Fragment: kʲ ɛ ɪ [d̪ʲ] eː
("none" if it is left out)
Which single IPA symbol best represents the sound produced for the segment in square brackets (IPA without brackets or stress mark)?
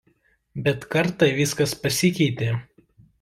t̪ʲ